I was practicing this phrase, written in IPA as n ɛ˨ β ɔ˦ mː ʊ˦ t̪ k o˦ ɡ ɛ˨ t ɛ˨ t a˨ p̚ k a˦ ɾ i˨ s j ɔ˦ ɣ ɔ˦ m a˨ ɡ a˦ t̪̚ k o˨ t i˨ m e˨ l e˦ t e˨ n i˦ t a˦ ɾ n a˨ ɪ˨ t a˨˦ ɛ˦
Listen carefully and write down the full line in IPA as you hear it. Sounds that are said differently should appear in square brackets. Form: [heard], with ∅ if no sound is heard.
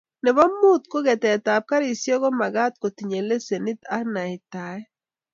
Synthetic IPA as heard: n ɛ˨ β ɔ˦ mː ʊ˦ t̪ k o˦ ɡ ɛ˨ t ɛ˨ t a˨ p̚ k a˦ ɾ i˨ s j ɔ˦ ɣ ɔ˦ m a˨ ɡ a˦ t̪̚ k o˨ t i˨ [ɲ] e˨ l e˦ [s] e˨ n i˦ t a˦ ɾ n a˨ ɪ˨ t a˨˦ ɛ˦